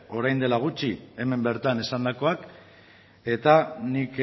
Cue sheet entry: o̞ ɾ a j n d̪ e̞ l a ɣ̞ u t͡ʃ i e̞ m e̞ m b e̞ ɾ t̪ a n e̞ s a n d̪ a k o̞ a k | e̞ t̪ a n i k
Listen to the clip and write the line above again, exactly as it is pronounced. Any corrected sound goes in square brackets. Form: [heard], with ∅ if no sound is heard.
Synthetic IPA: o̞ ɾ a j n d̪ e̞ l a ɣ̞ u t͡ʃ i e̞ m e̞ m b e̞ ɾ t̪ a n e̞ s a n d̪ a k o̞ a k | e̞ t̪ a n i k